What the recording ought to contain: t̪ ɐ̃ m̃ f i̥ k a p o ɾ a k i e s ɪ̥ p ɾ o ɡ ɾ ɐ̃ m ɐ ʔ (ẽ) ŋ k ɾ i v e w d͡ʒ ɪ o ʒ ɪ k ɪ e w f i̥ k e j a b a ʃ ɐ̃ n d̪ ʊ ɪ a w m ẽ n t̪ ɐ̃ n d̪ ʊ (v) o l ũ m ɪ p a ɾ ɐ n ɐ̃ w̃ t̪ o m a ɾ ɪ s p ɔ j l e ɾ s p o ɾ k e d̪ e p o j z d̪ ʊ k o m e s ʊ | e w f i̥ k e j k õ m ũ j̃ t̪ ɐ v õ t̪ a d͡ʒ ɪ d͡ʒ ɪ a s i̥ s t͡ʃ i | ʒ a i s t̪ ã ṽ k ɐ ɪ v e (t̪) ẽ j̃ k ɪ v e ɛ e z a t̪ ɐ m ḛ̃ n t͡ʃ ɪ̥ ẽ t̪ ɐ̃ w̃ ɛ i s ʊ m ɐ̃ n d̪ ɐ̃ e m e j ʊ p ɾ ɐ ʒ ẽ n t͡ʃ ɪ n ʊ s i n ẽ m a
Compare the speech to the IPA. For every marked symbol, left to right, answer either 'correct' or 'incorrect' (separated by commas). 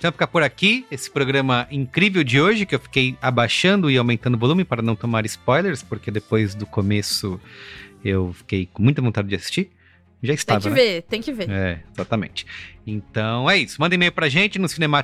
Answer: incorrect, correct, correct